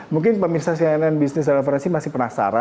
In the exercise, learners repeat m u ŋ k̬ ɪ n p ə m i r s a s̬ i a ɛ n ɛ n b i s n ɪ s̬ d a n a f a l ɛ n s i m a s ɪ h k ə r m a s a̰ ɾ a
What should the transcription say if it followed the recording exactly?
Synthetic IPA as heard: m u ŋ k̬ ɪ n p ə m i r s a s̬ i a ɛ n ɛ n b i s n ɪ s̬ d a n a f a ɾ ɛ n s i m a s ɪ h p ə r n a s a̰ ɾ a